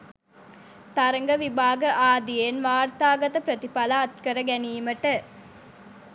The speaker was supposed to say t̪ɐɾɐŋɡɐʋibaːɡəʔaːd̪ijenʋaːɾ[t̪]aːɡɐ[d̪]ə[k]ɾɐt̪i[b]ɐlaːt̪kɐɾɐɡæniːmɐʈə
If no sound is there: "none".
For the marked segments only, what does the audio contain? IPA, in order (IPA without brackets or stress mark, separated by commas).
t̪, t̪, p, p